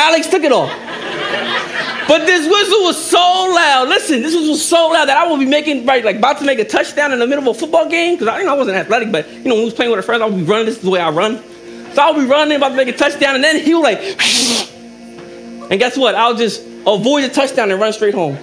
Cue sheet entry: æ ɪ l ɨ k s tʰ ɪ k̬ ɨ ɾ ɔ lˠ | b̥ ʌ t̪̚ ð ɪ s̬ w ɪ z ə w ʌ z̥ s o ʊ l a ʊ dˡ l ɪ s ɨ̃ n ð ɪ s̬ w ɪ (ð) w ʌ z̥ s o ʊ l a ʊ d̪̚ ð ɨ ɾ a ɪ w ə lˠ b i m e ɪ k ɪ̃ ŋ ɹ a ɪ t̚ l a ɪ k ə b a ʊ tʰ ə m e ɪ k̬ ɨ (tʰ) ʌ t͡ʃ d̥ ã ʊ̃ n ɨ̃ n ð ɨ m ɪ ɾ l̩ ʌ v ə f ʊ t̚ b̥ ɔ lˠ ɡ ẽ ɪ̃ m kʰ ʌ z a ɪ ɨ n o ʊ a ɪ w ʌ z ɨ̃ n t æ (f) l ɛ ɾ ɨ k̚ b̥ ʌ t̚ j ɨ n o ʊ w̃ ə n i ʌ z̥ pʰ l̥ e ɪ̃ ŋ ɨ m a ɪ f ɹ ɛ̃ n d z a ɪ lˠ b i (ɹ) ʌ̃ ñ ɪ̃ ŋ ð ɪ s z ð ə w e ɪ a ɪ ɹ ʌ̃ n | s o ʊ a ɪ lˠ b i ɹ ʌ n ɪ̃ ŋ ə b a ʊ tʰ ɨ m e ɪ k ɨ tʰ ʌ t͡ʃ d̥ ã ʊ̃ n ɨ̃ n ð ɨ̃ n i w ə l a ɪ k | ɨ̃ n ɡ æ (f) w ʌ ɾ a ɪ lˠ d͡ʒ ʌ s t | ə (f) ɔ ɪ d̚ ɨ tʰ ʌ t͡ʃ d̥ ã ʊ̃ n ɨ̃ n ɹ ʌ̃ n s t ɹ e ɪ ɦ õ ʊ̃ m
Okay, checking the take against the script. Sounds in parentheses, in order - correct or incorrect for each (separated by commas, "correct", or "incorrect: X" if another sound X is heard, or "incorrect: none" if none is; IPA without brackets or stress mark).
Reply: incorrect: z, correct, incorrect: θ, correct, incorrect: s, incorrect: v